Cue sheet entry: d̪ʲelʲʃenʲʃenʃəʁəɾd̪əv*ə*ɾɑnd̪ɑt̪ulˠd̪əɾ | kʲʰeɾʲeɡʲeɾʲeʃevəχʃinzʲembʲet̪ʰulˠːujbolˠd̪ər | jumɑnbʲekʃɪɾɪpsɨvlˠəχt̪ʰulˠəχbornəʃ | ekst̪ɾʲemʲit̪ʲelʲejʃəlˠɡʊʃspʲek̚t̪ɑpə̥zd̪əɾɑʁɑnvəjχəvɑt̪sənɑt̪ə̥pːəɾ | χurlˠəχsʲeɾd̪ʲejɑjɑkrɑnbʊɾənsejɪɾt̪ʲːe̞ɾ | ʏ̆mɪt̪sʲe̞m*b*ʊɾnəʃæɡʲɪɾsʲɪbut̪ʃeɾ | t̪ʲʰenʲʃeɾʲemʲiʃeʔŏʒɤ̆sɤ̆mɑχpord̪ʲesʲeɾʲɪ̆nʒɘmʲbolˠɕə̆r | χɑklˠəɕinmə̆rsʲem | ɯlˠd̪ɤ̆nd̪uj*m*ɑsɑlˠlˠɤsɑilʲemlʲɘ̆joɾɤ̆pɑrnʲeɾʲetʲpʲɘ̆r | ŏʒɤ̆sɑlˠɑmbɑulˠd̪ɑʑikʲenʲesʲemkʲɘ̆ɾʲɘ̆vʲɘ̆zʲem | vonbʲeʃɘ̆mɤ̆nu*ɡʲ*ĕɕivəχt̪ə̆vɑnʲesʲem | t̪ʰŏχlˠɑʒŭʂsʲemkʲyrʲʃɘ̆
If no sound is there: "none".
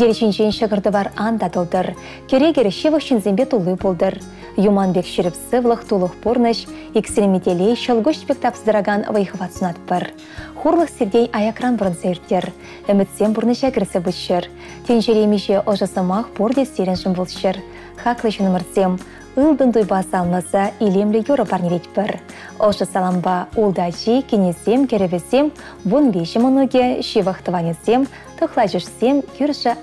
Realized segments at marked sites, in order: ɑ, b, b, ɡʲ

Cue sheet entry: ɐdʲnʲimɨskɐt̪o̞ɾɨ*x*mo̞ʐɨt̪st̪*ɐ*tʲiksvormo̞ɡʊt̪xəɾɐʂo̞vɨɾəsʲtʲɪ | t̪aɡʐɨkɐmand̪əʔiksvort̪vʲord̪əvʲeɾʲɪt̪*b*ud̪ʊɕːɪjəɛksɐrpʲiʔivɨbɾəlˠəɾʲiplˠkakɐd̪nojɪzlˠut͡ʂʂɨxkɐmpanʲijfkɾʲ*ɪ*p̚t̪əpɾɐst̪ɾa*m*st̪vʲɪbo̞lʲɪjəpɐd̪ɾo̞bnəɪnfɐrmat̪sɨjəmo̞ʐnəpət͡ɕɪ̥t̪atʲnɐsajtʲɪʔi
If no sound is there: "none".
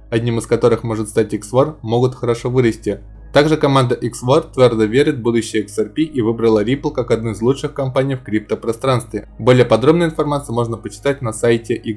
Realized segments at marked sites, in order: x, a, b, i, n

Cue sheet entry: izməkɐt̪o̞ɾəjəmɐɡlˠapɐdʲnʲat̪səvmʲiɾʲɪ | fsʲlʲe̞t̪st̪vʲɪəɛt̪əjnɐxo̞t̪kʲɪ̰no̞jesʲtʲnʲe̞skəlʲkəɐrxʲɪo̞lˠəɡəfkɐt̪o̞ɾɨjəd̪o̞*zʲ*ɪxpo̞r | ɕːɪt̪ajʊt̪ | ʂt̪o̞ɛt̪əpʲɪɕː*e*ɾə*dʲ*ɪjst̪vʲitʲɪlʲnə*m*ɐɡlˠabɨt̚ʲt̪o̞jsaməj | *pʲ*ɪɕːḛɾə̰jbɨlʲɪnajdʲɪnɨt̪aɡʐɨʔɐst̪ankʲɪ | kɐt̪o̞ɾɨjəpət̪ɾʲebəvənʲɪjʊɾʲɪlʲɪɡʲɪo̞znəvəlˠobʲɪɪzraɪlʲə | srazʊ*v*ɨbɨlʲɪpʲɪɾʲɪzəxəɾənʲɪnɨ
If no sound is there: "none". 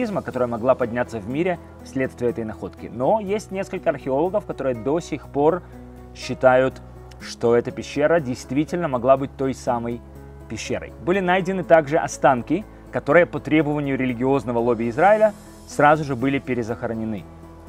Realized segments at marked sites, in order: sʲ, e, dʲ, m, pʲ, ʐ

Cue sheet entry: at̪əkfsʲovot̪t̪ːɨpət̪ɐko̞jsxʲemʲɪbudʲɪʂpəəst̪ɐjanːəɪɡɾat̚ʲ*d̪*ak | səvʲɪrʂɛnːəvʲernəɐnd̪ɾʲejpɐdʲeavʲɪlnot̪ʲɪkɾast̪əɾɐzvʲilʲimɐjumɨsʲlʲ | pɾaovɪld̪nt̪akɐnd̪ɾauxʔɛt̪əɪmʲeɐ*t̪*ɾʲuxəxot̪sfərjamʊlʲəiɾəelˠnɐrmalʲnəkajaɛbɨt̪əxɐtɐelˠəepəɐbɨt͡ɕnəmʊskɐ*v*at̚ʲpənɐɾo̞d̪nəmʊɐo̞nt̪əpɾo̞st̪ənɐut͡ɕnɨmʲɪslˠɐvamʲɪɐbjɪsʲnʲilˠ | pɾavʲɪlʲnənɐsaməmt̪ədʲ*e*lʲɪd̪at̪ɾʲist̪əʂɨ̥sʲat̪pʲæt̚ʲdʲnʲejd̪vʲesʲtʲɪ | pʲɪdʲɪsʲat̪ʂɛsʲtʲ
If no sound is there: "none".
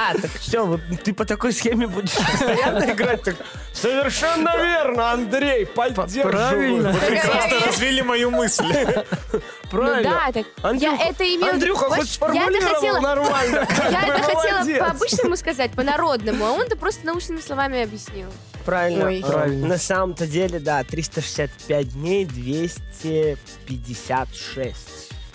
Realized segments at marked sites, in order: t̪, d̪, z, e

